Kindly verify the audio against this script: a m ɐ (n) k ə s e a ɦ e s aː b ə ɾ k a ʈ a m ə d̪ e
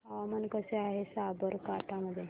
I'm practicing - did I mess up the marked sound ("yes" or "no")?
no